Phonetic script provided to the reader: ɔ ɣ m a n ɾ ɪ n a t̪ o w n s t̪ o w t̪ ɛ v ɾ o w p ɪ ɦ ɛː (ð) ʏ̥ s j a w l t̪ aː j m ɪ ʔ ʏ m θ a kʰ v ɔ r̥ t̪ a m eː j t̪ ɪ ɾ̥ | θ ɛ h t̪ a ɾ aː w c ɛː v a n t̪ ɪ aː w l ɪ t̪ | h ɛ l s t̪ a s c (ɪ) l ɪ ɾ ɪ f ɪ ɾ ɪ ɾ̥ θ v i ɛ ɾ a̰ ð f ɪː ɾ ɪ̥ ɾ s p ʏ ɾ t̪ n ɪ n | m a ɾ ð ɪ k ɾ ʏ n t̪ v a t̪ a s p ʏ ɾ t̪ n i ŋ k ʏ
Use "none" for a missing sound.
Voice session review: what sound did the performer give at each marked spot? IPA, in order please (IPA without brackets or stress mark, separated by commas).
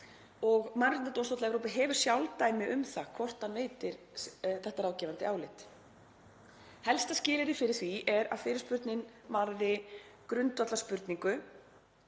v, ɪː